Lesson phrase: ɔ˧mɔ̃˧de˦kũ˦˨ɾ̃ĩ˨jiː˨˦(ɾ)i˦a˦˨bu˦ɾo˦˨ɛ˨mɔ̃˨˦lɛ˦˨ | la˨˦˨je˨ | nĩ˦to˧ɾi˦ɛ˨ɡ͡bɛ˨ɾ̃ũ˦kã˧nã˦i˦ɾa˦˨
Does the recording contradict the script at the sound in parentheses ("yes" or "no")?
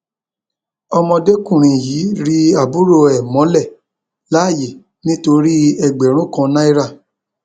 no